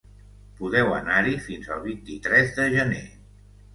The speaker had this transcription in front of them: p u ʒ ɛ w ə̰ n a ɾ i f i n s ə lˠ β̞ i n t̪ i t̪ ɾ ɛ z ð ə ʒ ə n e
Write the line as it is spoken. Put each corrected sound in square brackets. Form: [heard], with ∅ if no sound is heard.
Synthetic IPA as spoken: p u [ð] ɛ w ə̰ n a ɾ i f i n [z] ə lˠ β̞ i n t̪ i t̪ ɾ ɛ z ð ə ʒ ə n e